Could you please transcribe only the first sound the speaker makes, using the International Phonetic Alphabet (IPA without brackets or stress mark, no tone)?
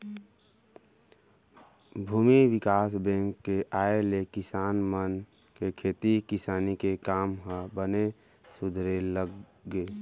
bʱ